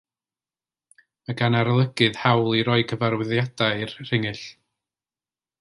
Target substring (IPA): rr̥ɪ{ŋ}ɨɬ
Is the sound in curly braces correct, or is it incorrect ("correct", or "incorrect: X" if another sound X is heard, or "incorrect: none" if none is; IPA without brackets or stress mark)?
correct